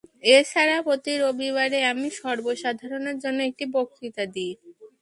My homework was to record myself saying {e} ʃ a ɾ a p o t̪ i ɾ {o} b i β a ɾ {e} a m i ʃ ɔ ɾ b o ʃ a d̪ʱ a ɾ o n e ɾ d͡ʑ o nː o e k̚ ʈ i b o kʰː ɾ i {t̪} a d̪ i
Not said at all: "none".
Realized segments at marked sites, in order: e, o, e, t̪

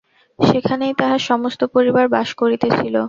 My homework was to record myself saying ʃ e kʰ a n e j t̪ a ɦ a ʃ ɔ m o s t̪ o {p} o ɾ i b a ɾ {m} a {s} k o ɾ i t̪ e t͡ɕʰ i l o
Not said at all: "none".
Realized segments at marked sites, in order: p, b, ʃ

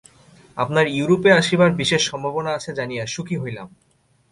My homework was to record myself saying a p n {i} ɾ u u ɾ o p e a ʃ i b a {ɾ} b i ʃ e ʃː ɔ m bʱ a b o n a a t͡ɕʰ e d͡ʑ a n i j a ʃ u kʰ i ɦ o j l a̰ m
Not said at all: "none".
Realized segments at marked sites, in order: a, ɾ

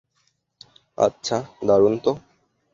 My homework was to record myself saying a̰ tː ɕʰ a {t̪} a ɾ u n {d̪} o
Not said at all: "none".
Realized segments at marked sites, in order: d̪, t̪

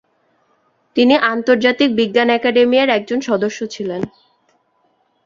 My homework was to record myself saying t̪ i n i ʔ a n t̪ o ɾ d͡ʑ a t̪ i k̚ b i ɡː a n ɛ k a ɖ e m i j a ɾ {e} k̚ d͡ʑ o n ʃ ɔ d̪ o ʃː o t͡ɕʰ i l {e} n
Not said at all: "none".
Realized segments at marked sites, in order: ɛ, e

